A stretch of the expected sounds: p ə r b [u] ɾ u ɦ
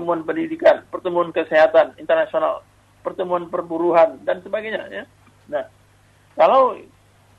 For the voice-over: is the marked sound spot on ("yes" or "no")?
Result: yes